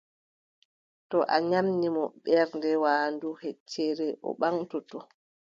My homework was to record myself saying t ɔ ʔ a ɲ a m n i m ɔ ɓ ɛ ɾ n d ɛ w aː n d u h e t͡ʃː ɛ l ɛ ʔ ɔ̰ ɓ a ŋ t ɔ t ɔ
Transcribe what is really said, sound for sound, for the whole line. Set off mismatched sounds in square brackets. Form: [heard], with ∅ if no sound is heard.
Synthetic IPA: t ɔ ʔ a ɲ a m n i m ɔ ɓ ɛ ɾ n d ɛ w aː n d u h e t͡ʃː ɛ [ɾ] ɛ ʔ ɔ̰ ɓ a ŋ t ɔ t ɔ